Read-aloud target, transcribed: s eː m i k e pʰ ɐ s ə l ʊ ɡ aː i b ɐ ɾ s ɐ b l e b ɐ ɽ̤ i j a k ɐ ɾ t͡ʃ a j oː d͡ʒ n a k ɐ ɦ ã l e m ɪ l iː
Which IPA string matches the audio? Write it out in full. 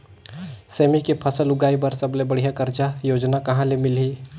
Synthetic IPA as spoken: s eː m i k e pʰ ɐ s ə l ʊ ɡ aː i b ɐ ɾ s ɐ b l e b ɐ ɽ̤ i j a k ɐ ɾ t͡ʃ a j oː d͡ʒ n a k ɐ ɦ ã l e m ɪ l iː